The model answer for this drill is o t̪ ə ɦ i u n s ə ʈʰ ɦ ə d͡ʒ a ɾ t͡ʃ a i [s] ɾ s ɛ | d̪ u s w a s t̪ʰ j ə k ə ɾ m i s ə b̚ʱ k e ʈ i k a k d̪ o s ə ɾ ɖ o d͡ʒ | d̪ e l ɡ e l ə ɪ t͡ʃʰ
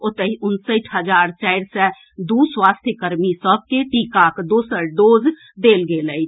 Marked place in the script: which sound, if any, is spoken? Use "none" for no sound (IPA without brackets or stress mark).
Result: none